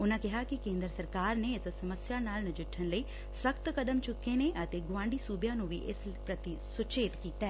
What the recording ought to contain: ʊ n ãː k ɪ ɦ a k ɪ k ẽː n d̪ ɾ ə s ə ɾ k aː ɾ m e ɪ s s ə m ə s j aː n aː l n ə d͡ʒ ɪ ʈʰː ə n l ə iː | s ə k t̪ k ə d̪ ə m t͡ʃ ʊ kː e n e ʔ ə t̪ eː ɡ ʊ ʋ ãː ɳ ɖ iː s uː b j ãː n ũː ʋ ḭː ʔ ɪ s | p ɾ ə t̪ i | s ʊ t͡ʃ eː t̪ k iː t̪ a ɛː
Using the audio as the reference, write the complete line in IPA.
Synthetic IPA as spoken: ʊ n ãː k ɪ ɦ a k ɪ k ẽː n d̪ ɾ ə s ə ɾ k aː ɾ n e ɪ s s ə m ə s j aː n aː l n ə d͡ʒ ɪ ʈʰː ə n l ə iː | s ə k t̪ k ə d̪ ə m t͡ʃ ʊ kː e n e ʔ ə t̪ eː ɡ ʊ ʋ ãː ɳ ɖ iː s uː b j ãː n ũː ʋ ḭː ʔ ɪ s | p ɾ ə t̪ i | s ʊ t͡ʃ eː t̪ k iː t̪ a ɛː

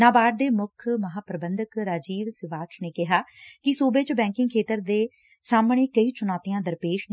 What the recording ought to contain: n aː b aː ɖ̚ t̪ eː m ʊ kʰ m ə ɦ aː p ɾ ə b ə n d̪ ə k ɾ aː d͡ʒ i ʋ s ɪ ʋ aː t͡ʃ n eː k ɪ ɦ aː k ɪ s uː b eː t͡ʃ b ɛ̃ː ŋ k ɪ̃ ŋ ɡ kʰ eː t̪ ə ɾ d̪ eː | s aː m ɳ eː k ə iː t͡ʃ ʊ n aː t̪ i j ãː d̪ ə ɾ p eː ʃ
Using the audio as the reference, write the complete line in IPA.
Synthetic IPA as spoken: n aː b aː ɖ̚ d̪ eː m ʊ kʰ m ə ɦ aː p ɾ ə b ə n d̪ ə k ɾ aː d͡ʒ iː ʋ s ɪ ʋ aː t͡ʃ n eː k ɪ ɦ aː k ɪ s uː b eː t͡ʃ b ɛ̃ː ŋ k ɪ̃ ŋ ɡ kʰ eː t̪ ə ɾ d̪ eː | s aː m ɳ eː k ə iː t͡ʃ ʊ n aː t̪ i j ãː d̪ ə ɾ p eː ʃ

